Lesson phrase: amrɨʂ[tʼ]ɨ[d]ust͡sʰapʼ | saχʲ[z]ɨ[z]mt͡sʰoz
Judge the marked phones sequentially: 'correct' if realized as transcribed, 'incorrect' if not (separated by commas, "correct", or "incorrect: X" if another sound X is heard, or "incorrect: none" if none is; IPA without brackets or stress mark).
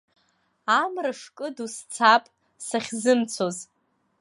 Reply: incorrect: kʼ, correct, correct, incorrect: none